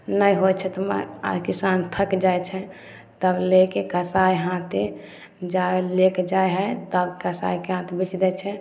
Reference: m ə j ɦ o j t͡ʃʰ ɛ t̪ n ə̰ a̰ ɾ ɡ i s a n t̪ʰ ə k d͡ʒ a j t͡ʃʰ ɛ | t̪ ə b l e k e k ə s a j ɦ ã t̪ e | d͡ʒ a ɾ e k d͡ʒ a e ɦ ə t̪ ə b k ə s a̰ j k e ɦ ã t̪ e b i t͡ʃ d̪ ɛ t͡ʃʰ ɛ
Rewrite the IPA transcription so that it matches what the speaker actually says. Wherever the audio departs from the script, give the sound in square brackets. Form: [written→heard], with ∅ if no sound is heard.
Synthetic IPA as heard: [m→n] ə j ɦ o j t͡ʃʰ ɛ t̪ [n→m] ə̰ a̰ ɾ [ɡ→k] i s a n t̪ʰ ə k d͡ʒ a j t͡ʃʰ ɛ | t̪ ə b l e k e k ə s a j ɦ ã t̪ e | d͡ʒ a [ɾ→l] e k d͡ʒ a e ɦ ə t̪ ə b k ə s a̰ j k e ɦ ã t̪ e b i t͡ʃ d̪ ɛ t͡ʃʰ ɛ